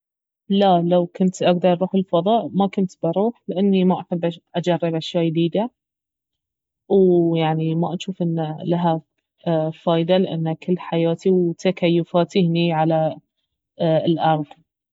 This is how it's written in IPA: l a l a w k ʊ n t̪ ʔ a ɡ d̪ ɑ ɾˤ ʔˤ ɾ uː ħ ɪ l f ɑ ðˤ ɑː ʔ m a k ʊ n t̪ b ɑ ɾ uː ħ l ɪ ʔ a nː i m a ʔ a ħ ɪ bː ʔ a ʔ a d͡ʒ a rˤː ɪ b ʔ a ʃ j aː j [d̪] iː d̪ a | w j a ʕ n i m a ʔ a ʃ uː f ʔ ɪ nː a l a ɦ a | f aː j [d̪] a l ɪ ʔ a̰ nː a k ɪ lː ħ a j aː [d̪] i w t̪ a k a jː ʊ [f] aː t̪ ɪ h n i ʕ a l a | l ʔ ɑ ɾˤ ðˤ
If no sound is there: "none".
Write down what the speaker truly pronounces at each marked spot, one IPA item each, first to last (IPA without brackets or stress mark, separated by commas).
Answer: d̪, d̪, t̪, f